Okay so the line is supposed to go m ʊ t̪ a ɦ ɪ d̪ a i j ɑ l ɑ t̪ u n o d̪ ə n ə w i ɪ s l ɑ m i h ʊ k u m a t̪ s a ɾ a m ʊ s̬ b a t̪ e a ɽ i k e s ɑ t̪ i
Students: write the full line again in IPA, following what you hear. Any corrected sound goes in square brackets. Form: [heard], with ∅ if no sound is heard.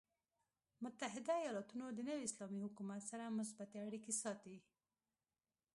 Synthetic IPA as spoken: m ʊ t̪ a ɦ ɪ d̪ a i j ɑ l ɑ t̪ u n o d̪ ə n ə w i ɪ s l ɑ m i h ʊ k u m a t̪ s a ɾ a m ʊ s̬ b a t̪ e a ɽ i k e s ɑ t̪ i